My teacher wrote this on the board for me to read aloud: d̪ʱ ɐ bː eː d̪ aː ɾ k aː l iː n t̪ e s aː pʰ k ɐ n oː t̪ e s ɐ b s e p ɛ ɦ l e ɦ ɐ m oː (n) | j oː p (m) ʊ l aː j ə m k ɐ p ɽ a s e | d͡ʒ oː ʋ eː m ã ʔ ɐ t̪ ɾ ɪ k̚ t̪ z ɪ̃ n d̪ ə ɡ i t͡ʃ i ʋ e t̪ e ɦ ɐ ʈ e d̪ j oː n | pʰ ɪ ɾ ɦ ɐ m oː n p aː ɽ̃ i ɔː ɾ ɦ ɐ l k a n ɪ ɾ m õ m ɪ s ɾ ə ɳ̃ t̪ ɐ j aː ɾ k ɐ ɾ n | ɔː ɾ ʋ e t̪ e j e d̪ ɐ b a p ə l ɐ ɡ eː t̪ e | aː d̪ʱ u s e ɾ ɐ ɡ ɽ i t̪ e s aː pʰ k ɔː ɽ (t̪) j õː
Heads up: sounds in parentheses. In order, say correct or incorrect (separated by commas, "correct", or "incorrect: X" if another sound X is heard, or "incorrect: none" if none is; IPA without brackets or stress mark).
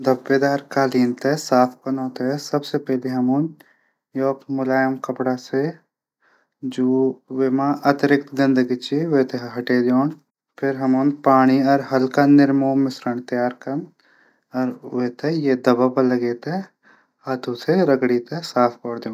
correct, correct, incorrect: d̪